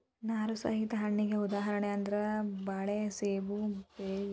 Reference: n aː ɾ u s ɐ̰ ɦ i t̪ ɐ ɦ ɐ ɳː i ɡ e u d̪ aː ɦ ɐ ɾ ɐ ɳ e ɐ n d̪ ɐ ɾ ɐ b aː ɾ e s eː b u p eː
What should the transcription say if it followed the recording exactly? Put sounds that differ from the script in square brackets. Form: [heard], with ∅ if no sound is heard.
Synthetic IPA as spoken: n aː ɾ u s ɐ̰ ɦ i t̪ ɐ ɦ ɐ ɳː i ɡ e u d̪ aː ɦ ɐ ɾ ɐ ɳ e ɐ n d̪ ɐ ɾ ɐ b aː [ɭ] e s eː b u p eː